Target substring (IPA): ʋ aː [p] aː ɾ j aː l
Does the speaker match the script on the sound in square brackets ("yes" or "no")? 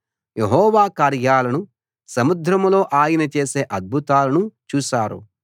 no